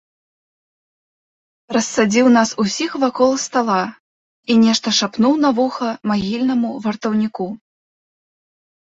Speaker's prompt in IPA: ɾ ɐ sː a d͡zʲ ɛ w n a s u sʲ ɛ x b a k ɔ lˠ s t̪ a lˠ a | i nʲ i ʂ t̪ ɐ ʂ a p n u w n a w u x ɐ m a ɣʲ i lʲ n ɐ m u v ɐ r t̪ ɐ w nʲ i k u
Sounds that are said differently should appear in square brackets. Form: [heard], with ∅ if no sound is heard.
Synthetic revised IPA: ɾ ɐ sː a d͡zʲ [i] w n a s u sʲ [i] x [v] a k ɔ lˠ s t̪ a lˠ a | i nʲ [ɛ] ʂ t̪ ɐ ʂ a p n u w n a [v] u x ɐ m a ɣʲ i lʲ n ɐ m u v ɐ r t̪ ɐ w nʲ i k u